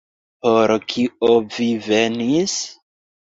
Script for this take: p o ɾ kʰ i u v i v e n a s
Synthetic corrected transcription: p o ɾ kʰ i o v i v e n i s